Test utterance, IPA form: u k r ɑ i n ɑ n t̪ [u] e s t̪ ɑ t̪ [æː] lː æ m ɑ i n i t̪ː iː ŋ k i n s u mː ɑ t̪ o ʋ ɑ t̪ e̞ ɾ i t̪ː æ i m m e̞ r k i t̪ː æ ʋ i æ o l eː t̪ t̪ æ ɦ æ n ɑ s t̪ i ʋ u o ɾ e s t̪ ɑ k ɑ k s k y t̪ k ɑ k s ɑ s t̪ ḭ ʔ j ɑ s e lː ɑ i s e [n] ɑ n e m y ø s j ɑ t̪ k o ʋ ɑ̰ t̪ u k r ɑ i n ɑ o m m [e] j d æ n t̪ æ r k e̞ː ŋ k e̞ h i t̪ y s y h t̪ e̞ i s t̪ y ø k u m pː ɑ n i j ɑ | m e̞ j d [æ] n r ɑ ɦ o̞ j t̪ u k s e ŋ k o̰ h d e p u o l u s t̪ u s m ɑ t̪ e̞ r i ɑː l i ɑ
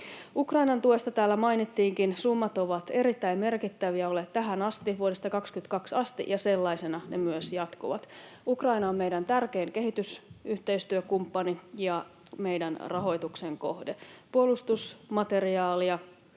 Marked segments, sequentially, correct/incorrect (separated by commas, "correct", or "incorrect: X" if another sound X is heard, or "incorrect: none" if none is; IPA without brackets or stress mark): correct, correct, correct, correct, correct